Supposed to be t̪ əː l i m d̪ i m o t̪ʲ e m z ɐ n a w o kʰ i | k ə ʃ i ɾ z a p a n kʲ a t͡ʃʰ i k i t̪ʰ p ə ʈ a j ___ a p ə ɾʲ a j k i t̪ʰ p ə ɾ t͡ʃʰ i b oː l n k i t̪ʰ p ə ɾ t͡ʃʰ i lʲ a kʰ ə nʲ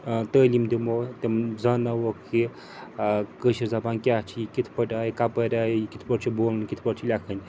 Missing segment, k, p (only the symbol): k